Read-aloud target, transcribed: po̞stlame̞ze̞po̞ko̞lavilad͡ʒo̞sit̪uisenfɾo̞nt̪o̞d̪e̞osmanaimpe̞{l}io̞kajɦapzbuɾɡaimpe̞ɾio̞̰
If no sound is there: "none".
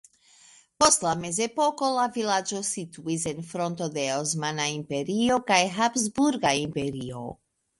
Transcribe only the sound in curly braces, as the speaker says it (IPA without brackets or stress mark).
ɾ